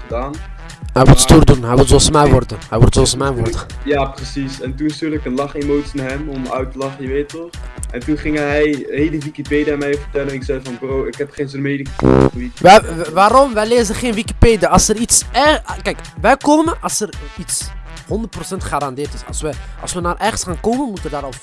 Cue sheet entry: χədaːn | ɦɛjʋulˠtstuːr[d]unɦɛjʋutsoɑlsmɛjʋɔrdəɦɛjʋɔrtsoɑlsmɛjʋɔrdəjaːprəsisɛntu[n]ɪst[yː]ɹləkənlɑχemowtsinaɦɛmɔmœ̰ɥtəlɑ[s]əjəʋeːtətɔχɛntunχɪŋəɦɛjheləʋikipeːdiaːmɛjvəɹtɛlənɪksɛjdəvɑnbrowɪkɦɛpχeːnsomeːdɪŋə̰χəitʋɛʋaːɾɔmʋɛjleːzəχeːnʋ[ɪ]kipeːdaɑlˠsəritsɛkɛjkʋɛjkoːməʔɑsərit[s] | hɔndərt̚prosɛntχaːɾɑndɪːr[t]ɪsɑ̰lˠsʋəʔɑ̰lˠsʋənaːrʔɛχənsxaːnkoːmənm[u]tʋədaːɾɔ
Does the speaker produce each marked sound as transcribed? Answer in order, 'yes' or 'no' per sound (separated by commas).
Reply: yes, yes, yes, no, no, yes, yes, yes